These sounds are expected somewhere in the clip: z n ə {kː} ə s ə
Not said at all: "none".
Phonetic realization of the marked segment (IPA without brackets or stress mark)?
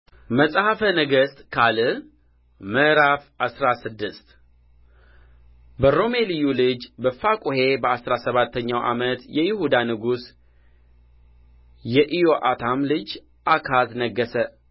ɡː